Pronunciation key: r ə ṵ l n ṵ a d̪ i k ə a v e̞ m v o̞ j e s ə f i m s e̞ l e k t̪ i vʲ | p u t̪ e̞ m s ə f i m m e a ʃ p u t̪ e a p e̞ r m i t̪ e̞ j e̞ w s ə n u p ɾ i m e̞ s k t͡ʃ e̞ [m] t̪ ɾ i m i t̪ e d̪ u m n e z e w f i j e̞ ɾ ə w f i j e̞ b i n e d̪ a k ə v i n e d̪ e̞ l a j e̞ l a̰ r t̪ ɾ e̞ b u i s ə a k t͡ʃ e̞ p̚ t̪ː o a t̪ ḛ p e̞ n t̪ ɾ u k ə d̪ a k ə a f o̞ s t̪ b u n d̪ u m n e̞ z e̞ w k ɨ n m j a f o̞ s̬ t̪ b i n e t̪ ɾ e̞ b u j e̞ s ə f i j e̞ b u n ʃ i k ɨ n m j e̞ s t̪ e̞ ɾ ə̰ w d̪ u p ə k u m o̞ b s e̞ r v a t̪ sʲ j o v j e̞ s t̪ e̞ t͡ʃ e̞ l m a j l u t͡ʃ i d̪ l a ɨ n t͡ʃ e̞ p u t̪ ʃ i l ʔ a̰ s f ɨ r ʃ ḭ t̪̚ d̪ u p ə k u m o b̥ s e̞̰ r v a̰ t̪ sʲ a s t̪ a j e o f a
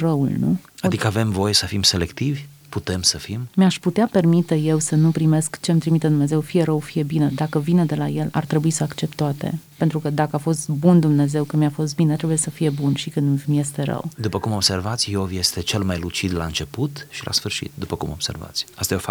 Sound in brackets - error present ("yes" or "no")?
no